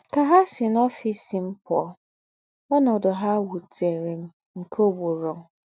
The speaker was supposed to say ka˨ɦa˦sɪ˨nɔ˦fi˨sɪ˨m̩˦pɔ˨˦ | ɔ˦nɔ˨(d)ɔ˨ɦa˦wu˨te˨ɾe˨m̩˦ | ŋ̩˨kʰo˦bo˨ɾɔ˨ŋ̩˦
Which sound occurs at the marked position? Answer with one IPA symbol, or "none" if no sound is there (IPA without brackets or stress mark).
d